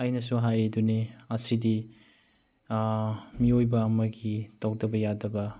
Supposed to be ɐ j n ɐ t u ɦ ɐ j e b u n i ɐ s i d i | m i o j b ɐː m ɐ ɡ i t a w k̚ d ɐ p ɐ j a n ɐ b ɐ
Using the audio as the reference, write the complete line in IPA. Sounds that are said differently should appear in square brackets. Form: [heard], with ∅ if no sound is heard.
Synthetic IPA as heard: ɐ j n ɐ [s] u ɦ [a] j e [d] u n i ɐ s i d i | m i o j b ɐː m ɐ ɡ i t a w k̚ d ɐ [b] ɐ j a [d] ɐ b ɐ